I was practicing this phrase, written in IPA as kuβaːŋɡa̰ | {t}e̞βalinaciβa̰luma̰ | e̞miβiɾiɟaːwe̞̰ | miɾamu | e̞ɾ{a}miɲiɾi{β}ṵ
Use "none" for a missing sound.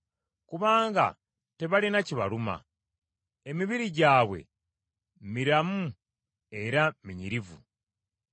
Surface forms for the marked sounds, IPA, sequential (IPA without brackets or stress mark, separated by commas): t, a, v